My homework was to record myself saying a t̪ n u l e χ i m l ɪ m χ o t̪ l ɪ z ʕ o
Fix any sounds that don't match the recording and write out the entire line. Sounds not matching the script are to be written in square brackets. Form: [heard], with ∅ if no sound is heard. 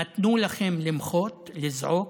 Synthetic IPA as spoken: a t̪ n u l [a] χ [e] m l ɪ m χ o t̪ l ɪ z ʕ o

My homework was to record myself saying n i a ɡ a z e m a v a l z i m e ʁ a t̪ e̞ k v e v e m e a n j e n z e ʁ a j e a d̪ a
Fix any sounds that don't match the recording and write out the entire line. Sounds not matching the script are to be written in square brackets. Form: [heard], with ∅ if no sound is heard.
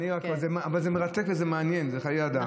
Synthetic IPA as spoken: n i a [k] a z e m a v a l z [e] m e ʁ a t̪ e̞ k v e [z] e m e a n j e n z e [χ] a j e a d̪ a

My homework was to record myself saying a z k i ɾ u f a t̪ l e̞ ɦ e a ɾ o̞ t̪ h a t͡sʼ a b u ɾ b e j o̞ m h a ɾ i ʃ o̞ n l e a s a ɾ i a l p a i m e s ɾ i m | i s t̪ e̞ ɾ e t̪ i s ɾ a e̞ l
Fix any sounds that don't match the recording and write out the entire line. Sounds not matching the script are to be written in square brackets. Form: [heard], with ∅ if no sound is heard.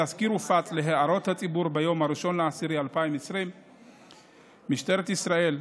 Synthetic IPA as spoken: a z k i ɾ u f a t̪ l e̞ ɦ e a ɾ o̞ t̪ h a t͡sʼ [i] b u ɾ b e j o̞ m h a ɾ i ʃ o̞ n l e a s [i] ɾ i a l p a i m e s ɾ i m | i [ʃ] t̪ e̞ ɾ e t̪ i s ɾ a e̞ l

